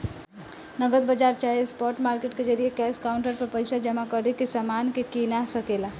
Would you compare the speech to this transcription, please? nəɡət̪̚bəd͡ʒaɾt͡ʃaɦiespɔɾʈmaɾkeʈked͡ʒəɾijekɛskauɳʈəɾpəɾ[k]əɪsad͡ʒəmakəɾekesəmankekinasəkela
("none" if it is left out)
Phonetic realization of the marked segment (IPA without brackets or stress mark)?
p